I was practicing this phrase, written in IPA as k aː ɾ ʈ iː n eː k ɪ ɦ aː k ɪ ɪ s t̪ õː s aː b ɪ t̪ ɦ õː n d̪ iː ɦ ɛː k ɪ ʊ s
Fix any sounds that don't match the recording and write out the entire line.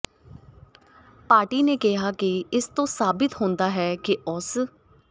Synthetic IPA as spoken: p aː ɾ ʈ iː n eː k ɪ ɦ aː k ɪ ɪ s t̪ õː s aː b ɪ t̪ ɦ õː n d̪ aː ɦ ɛː k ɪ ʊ s

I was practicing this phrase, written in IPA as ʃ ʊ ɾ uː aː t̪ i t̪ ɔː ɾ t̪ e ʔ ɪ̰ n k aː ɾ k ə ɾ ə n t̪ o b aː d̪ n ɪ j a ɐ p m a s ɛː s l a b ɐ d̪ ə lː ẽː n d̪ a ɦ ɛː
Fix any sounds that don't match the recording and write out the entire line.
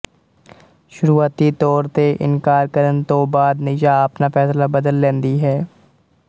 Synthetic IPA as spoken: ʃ ʊ ɾ uː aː t̪ i t̪ ɔː ɾ t̪ e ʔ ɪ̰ n k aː ɾ k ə ɾ ə n t̪ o b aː d̪ n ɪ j a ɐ p n a f ɛː s l a b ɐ d̪ ə lː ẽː n d̪ i ɦ ɛː

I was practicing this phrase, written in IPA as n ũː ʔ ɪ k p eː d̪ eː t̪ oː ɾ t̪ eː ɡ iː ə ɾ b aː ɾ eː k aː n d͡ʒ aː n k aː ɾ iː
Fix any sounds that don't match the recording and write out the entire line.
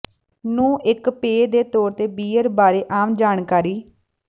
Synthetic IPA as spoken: n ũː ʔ ɪ k p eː d̪ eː t̪ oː ɾ t̪ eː b iː ə ɾ b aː ɾ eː ʔ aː m d͡ʒ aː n k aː ɾ iː

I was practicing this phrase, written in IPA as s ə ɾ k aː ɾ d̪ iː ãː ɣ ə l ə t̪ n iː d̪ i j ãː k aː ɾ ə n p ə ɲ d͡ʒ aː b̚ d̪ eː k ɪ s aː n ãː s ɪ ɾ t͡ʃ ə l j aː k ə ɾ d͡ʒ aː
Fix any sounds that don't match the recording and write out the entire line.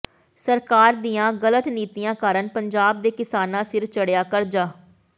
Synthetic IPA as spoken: s ə ɾ k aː ɾ d̪ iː ãː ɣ ə l ə t̪ n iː t̪ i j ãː k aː ɾ ə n p ə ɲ d͡ʒ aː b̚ d̪ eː k ɪ s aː n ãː s ɪ ɾ t͡ʃ ə ɽ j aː k ə ɾ d͡ʒ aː

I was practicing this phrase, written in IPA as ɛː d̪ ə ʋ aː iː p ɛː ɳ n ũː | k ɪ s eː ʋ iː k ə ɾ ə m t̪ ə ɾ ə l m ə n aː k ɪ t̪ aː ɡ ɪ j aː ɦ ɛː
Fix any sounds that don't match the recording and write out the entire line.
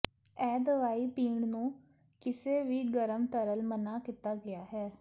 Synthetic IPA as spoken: ɛː d̪ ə ʋ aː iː p iː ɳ n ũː | k ɪ s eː ʋ iː ɡ ə ɾ ə m t̪ ə ɾ ə l m ə n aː k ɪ t̪ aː ɡ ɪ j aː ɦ ɛː

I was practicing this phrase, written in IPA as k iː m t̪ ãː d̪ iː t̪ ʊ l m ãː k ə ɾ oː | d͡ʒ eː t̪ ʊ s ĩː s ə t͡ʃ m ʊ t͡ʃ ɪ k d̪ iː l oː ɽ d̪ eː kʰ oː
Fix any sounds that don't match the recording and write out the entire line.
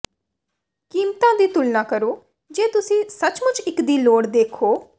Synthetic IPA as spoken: k iː m t̪ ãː d̪ iː t̪ ʊ l n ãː k ə ɾ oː | d͡ʒ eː t̪ ʊ s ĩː s ə t͡ʃ m ʊ t͡ʃ ɪ k d̪ iː l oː ɽ d̪ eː kʰ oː

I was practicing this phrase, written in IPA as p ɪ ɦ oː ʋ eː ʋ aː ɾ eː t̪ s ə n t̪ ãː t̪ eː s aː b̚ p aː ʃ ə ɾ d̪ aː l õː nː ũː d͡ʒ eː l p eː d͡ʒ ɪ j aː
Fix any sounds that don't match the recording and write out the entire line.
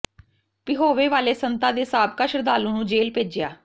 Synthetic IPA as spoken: p ɪ ɦ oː ʋ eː ʋ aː l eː s ə n t̪ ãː d̪ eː s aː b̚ k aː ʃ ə ɾ d̪ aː l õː n ũː d͡ʒ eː l p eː d͡ʒ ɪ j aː

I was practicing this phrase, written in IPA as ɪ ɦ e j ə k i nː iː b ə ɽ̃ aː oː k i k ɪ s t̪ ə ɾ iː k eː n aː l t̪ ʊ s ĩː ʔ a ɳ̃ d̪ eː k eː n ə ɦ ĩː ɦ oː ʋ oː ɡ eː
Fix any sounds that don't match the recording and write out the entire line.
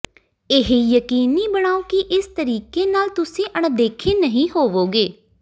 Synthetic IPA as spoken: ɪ ɦ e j ə k iː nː iː b ə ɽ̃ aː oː k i ʔ ɪ s t̪ ə ɾ iː k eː n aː l t̪ ʊ s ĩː ʔ ə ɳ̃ d̪ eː kʰ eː n ə ɦ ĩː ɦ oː ʋ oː ɡ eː

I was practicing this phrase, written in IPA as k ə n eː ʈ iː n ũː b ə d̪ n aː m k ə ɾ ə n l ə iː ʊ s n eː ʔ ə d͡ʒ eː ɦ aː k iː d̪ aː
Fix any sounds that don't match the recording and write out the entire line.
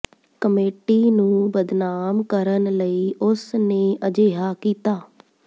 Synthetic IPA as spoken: k ə m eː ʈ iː n ũː b ə d̪ n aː m k ə ɾ ə n l ə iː ʊ s n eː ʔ ə d͡ʒ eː ɦ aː k iː t̪ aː

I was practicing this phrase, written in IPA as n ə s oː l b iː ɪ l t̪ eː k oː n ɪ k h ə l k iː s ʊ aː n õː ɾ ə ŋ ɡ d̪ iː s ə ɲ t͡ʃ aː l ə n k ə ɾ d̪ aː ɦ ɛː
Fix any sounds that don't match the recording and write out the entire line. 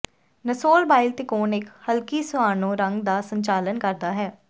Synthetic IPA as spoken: n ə s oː l b aː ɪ l t̪ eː k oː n ɪ k h ə l k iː s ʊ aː n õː ɾ ə ŋ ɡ d̪ aː s ə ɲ t͡ʃ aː l ə n k ə ɾ d̪ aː ɦ ɛː

